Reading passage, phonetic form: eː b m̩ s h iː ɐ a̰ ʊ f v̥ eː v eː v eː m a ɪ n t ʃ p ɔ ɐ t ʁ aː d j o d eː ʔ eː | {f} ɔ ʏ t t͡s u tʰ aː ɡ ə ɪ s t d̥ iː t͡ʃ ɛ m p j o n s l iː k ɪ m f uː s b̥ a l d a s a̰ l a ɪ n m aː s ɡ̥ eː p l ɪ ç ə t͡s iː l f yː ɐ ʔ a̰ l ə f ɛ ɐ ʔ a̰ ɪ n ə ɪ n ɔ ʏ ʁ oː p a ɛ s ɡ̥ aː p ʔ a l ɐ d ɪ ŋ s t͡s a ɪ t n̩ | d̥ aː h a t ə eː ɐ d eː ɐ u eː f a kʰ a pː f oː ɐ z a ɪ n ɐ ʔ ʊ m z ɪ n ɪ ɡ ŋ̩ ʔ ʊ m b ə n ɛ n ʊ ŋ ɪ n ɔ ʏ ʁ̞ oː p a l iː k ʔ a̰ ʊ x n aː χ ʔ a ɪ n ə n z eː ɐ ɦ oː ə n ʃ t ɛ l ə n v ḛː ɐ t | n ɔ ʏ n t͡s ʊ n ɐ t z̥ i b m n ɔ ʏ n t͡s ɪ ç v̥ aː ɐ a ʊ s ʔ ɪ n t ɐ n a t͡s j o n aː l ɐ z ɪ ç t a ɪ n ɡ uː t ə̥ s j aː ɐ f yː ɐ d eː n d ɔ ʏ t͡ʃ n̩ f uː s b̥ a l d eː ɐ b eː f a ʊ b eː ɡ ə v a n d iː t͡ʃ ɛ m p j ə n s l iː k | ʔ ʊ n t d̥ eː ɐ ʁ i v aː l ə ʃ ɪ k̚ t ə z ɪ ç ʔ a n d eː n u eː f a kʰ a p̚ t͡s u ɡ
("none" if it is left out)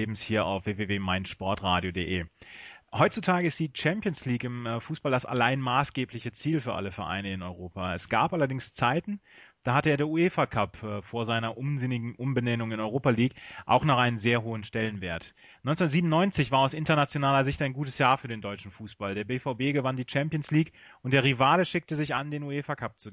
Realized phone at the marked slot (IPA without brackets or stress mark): h